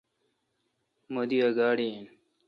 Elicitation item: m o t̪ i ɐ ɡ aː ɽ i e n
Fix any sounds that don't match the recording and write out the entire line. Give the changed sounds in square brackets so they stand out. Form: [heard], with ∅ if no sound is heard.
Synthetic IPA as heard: m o [d̪] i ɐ ɡ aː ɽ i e n